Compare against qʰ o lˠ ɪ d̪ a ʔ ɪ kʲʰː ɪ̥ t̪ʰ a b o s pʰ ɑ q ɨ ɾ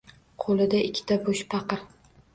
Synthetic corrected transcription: qʰ o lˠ ɪ d̪ a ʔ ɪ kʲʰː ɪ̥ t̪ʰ a b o ʃ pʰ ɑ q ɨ ɾ